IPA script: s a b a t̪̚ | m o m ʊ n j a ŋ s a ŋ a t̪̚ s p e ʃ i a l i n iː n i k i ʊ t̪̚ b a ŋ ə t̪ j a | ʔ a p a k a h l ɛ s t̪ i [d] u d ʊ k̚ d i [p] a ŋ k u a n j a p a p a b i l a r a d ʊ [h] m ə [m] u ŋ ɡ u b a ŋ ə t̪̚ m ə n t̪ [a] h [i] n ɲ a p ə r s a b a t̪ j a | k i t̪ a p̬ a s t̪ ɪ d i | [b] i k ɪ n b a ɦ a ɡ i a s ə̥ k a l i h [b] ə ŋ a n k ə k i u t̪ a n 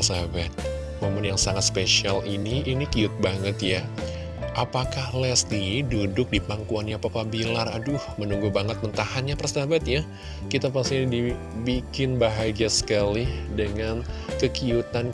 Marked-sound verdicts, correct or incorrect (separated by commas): correct, correct, correct, incorrect, correct, incorrect, correct, incorrect